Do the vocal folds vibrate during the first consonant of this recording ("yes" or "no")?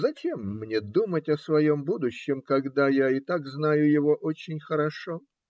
yes